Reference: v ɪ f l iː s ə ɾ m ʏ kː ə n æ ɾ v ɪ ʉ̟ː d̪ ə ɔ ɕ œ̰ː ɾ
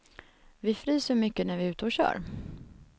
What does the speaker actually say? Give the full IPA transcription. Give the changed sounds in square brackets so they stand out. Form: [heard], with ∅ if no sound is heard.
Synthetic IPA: v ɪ f [ɾ] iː s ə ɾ m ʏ kː ə n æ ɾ v ɪ ʉ̟ː [t̪] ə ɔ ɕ œ̰ː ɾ